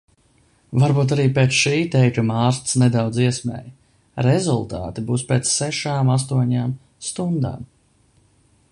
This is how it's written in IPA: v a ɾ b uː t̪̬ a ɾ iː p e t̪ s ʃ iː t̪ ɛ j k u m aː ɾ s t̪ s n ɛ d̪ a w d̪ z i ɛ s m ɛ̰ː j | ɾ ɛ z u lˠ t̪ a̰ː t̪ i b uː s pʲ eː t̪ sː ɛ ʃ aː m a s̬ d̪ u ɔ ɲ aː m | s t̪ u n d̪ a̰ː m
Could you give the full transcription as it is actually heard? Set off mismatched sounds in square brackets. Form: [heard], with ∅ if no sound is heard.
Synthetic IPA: v a ɾ b uː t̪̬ a ɾ iː p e t̪ s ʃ iː t̪ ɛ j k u m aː ɾ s t̪ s n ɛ d̪ a w d̪ z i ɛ s m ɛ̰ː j | ɾ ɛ z u lˠ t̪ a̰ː t̪ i b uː s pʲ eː t̪ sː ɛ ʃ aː m a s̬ [t̪] u ɔ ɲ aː m | s t̪ u n d̪ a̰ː m